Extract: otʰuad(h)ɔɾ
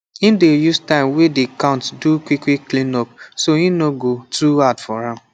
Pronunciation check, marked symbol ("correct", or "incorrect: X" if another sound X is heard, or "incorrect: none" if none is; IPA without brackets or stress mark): incorrect: f